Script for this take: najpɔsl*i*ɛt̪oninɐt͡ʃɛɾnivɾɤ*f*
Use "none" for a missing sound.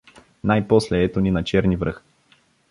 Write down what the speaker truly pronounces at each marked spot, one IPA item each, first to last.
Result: ɛ, x

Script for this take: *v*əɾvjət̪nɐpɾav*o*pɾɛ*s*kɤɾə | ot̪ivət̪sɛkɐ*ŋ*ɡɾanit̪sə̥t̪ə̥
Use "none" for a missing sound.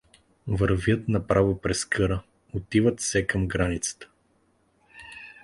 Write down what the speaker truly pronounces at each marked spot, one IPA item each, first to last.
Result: v, o, s, m

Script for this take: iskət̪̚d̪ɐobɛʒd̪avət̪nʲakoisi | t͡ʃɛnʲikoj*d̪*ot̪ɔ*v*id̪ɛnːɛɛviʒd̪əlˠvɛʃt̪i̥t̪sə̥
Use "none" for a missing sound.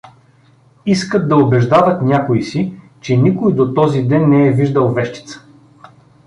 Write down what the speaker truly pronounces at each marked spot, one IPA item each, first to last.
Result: d̪, z

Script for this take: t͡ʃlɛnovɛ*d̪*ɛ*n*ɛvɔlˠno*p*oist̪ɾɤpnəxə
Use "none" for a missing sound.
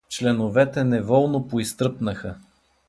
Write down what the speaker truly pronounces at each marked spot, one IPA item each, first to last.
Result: t̪, n, p

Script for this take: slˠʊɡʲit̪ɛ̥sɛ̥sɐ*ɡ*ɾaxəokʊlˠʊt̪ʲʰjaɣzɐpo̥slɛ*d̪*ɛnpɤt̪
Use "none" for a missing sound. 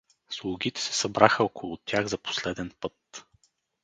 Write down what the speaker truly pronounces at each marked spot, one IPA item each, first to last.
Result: b, d̪

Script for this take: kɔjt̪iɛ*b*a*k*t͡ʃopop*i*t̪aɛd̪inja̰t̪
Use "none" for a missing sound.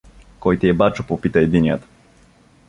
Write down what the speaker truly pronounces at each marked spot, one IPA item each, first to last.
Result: b, none, i

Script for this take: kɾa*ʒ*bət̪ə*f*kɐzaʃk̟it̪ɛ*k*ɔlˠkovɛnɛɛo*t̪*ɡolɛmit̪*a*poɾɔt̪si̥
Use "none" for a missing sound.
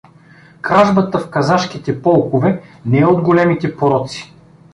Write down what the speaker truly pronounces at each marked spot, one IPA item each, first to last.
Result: ʒ, f, p, d̪, ɛ

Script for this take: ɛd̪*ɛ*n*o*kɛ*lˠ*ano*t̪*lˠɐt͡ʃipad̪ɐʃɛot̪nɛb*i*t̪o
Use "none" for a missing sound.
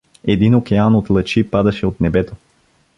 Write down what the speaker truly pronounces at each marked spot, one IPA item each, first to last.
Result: i, o, none, t̪, ɛ

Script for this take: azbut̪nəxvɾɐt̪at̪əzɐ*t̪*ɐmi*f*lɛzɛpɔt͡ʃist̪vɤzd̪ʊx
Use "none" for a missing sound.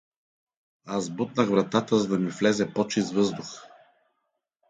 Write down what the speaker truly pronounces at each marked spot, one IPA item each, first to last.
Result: d̪, f

